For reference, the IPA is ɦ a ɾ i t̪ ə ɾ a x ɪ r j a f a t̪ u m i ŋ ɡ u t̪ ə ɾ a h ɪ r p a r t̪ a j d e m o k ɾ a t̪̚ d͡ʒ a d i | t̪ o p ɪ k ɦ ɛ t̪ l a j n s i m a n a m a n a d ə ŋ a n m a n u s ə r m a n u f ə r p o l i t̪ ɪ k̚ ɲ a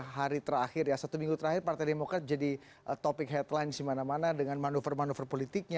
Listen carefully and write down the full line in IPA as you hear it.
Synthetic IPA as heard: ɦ a ɾ i t̪ ə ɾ a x ɪ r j a s a t̪ u m i ŋ ɡ u t̪ ə ɾ a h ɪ r p a r t̪ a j d e m o k ɾ a t̪̚ d͡ʒ a d i | t̪ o p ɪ k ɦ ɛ t̪ l a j n s i m a n a m a n a d ə ŋ a n m a n u f ə r m a n u f ə r p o l i t̪ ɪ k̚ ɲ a